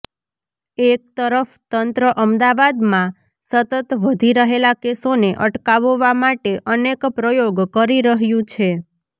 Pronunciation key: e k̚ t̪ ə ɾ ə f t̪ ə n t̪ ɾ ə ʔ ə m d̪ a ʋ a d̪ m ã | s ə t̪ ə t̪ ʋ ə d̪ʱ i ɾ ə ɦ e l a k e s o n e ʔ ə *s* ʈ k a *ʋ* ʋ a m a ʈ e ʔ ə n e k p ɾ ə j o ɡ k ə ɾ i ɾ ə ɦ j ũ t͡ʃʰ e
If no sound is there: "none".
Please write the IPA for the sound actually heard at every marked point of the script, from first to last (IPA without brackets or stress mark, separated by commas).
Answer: none, ʋ